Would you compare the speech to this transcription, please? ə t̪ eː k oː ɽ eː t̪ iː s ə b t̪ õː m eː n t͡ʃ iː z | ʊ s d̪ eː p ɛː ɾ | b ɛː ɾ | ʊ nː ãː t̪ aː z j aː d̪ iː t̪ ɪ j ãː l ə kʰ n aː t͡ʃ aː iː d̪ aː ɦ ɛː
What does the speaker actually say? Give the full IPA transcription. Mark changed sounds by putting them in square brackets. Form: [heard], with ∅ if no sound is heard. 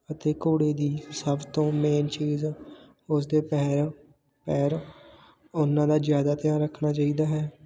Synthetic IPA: ə t̪ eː k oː ɽ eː [d̪] iː s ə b t̪ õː m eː n t͡ʃ iː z | ʊ s d̪ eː p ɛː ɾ | [p] ɛː ɾ | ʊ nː ãː [d̪] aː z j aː d̪ [aː] t̪ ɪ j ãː [ɾ] ə kʰ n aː t͡ʃ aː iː d̪ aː ɦ ɛː